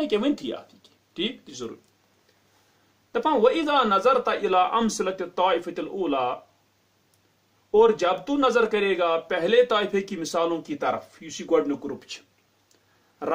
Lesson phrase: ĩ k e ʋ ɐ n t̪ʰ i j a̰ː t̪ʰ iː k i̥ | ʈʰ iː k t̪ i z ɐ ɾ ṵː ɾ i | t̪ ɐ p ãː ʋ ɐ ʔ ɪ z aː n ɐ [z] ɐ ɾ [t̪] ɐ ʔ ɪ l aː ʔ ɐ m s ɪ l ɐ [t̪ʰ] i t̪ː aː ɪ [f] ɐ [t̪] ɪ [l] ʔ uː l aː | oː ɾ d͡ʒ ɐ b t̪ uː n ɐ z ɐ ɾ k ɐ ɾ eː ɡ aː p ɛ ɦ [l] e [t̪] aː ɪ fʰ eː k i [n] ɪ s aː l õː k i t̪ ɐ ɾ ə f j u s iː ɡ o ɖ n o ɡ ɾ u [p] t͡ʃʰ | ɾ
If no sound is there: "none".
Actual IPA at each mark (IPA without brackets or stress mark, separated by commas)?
z, t̪, t̪, f, t̪, l, l, t̪, m, p